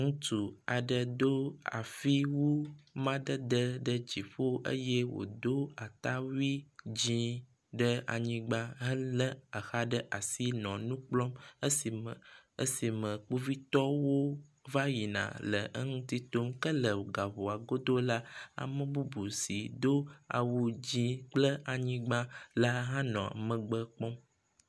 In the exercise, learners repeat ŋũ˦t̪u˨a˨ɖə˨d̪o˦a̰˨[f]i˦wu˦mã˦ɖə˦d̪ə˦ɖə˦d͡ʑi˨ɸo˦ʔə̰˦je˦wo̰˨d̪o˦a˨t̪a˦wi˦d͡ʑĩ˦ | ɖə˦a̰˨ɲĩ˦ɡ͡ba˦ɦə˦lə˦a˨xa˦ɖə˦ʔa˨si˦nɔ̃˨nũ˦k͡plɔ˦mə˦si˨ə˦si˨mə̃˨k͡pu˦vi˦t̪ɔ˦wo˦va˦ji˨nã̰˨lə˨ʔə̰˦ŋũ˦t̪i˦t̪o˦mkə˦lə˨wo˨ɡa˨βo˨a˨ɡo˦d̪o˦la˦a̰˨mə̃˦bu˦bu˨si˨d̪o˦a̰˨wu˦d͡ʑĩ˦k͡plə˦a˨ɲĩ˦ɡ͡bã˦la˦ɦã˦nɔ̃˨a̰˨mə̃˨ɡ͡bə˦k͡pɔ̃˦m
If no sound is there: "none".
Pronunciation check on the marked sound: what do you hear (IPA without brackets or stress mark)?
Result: f